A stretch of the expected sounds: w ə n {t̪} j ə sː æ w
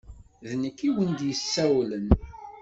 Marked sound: incorrect: d̪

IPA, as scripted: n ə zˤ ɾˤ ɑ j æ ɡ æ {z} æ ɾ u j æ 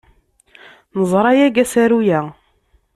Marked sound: incorrect: s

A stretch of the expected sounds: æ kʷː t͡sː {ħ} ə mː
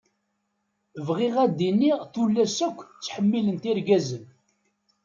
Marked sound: correct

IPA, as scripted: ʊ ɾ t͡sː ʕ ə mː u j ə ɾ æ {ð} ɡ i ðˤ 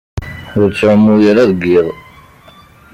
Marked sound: correct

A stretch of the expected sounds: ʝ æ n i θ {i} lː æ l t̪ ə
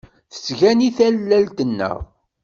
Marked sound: incorrect: æ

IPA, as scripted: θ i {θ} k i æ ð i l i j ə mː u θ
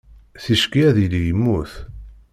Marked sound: incorrect: ʃ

